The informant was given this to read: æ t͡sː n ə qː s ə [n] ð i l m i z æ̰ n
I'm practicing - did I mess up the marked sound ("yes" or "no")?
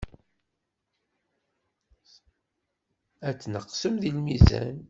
yes